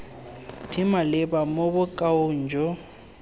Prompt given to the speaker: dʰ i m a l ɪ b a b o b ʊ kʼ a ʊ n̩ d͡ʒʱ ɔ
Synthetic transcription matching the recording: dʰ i m a l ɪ b a m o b ʊ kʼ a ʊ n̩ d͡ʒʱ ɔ